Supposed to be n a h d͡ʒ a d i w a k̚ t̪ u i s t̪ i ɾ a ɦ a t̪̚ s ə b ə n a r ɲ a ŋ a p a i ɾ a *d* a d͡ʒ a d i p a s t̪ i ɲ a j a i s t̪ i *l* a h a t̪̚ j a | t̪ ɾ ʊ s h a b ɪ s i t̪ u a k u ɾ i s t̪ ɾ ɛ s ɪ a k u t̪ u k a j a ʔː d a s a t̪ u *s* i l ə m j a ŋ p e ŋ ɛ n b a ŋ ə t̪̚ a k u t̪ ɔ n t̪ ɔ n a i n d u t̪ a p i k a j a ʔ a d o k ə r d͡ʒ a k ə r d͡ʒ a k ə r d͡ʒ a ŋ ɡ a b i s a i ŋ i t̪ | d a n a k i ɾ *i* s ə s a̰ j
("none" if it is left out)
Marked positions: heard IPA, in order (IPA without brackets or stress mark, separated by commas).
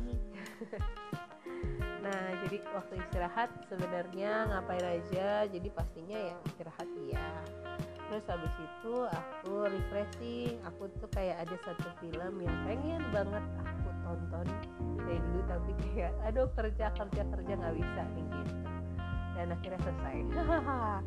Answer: d͡ʒ, ɾ, f, a